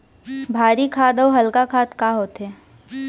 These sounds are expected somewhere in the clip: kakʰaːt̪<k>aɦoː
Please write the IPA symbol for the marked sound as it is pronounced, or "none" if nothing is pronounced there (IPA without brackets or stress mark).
k